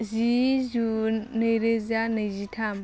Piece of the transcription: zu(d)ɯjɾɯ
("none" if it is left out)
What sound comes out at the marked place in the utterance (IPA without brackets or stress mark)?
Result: n